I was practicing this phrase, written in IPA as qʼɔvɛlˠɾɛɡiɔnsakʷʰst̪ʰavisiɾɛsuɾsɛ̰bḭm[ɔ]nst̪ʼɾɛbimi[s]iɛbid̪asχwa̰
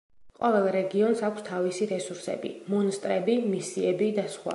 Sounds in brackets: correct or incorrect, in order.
correct, correct

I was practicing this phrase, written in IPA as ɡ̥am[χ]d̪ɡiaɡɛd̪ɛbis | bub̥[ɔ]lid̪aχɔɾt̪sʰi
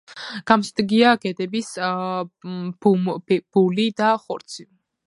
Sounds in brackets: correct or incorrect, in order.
incorrect: s, incorrect: u

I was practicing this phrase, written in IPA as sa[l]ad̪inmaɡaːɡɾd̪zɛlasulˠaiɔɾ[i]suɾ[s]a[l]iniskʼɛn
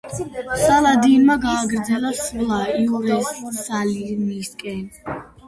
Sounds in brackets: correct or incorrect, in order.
correct, incorrect: ɛ, correct, correct

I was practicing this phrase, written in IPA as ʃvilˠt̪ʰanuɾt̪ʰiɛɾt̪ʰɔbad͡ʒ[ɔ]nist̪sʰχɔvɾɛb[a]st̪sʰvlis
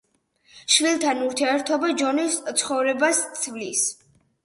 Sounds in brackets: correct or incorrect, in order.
correct, correct

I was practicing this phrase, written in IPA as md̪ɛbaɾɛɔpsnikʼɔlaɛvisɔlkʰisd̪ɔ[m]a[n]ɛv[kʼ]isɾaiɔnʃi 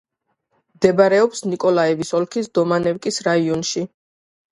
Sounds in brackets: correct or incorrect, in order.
correct, correct, correct

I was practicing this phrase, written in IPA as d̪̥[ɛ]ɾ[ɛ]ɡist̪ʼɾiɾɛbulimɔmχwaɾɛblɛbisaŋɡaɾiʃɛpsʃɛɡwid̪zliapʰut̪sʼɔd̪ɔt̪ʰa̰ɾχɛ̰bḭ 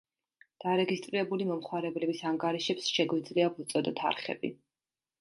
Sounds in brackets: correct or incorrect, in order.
incorrect: a, correct

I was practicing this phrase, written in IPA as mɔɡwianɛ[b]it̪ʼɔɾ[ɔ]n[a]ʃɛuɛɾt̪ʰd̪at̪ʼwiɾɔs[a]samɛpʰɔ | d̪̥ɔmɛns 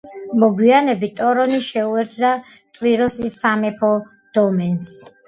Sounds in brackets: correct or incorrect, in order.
correct, correct, incorrect: i, incorrect: i

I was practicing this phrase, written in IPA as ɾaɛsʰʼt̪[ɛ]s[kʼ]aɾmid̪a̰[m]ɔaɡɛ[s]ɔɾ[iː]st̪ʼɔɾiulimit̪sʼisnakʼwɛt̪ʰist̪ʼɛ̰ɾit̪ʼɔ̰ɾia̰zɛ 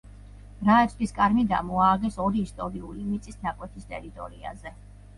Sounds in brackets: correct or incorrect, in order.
incorrect: i, correct, correct, correct, correct

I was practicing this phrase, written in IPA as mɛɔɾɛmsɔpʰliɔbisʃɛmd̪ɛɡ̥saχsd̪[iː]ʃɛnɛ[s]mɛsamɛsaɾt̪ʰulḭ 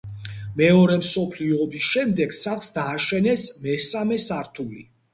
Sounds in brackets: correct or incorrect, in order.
incorrect: aː, correct

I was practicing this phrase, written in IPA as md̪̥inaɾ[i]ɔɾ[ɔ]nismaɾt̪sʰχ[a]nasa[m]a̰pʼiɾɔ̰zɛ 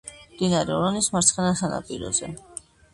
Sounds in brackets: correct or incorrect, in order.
incorrect: ɛ, correct, incorrect: ɛ, incorrect: n

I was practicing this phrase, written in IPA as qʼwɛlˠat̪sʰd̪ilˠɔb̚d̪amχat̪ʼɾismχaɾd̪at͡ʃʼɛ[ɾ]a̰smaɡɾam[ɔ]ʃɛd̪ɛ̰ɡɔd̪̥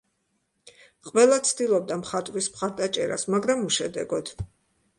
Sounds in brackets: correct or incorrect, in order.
correct, incorrect: u

